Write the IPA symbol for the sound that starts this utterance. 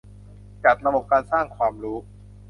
t͡ɕ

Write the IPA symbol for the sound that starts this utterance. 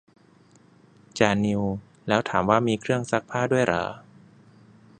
t͡ɕ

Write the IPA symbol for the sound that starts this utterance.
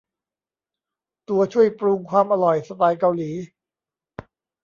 t̪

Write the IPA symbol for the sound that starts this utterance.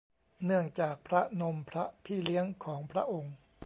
n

